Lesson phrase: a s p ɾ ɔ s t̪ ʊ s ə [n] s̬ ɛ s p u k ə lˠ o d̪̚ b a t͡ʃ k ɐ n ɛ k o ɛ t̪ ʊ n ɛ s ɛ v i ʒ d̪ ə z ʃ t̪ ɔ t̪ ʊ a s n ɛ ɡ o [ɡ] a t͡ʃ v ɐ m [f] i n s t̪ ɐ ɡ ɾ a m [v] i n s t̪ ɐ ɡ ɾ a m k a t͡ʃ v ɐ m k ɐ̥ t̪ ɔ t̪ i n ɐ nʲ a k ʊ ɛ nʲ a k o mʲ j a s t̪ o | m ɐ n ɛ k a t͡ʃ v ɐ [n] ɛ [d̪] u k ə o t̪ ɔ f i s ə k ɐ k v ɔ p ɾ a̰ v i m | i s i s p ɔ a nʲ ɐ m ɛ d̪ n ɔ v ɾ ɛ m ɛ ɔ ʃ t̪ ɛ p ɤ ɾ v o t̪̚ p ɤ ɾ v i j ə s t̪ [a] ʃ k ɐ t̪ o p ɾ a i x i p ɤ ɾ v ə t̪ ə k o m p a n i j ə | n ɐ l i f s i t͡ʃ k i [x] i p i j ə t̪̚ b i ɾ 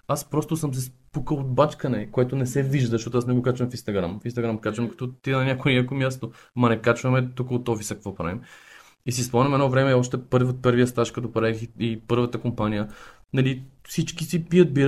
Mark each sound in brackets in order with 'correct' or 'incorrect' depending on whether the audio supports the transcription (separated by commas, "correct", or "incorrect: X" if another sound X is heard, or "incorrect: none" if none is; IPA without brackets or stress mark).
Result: incorrect: m, incorrect: k, correct, incorrect: f, incorrect: m, incorrect: t̪, correct, incorrect: s